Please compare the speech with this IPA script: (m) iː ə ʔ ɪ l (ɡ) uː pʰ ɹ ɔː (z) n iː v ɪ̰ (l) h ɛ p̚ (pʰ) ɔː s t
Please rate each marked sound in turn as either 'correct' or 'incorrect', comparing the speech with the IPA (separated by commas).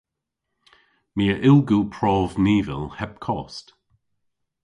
correct, correct, incorrect, correct, incorrect